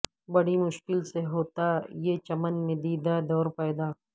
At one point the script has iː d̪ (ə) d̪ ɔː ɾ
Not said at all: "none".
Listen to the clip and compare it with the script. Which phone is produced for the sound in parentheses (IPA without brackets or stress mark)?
a